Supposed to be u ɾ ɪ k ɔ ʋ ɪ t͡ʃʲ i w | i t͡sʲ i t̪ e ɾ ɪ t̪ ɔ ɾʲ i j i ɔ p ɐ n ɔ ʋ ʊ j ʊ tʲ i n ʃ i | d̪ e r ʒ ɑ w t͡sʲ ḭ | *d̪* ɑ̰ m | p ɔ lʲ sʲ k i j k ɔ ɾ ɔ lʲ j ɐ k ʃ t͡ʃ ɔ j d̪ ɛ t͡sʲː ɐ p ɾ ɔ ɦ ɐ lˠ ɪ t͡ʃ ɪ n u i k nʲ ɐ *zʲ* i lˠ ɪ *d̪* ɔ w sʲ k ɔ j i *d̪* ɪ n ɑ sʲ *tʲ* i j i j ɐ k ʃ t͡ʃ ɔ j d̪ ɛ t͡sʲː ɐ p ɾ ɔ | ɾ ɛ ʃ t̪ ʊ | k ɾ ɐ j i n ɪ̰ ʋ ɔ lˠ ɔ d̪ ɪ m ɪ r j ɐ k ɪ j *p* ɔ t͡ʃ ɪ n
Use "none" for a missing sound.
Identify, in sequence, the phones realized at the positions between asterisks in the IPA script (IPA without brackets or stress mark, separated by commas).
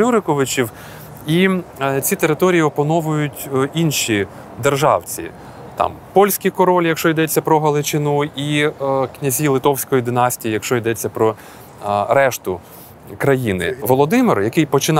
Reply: t̪, zʲ, t̪, d̪, tʲ, p